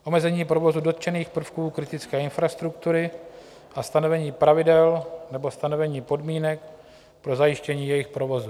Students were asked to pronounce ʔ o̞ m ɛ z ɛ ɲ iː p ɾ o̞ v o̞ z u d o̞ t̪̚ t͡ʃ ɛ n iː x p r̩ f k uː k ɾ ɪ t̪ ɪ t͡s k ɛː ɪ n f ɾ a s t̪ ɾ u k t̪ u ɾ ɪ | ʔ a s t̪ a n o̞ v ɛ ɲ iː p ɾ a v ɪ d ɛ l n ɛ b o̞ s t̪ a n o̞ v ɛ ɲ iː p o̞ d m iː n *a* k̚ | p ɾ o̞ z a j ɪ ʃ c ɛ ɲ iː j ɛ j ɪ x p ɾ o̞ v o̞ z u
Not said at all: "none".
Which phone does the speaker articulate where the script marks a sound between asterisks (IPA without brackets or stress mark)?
ɛ